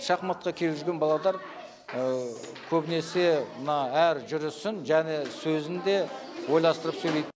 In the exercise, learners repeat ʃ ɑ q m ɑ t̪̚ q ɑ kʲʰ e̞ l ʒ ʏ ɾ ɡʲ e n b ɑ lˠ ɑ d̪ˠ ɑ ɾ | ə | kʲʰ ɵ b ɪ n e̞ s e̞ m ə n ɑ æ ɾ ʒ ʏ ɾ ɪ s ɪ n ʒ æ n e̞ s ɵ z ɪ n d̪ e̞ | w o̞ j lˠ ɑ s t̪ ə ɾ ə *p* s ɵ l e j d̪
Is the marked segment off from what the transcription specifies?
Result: no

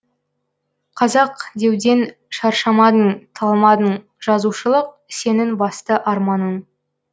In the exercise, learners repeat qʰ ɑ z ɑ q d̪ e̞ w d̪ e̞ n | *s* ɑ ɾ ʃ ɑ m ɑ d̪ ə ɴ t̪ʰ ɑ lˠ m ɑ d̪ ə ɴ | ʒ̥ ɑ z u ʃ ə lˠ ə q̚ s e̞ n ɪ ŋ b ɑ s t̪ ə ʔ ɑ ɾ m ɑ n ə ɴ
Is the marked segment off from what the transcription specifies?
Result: yes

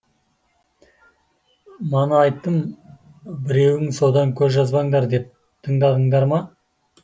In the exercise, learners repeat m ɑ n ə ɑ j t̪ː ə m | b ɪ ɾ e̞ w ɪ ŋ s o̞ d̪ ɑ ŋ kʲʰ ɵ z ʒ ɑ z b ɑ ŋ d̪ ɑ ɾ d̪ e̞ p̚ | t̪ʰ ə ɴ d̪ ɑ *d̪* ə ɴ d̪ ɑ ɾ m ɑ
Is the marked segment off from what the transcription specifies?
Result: no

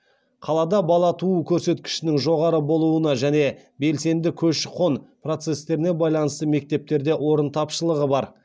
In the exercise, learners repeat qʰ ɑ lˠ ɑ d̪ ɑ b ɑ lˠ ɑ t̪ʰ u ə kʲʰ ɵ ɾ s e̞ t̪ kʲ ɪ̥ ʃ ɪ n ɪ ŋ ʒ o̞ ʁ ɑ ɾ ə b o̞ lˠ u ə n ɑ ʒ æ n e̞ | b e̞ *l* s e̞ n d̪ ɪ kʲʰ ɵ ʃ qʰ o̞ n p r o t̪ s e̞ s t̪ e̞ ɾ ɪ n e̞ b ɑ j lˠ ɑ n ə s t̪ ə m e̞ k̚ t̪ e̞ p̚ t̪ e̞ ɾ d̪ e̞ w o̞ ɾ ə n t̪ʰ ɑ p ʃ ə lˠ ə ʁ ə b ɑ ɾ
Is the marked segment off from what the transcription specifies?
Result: no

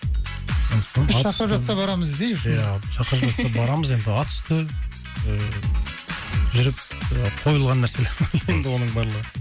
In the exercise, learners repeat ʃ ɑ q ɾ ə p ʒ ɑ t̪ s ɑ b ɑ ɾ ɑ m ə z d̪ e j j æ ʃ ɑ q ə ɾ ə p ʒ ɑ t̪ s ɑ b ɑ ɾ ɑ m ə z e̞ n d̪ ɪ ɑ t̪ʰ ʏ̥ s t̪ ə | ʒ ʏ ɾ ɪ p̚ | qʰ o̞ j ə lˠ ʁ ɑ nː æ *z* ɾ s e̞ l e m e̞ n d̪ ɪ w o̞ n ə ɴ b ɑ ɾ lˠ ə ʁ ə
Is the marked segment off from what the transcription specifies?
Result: yes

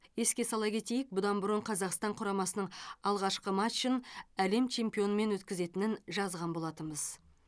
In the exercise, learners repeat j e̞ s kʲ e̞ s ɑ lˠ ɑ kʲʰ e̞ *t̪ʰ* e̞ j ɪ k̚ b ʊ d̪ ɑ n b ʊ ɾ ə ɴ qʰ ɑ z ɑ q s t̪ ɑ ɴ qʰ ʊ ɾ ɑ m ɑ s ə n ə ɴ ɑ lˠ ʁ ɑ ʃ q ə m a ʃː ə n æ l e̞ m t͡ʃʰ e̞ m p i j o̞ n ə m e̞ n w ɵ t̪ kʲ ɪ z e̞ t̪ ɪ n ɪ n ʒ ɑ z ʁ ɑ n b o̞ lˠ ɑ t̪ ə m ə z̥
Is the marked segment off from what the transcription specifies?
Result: yes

